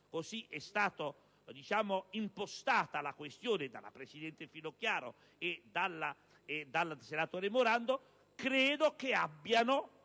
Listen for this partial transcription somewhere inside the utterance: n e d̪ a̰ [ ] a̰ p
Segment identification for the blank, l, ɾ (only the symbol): l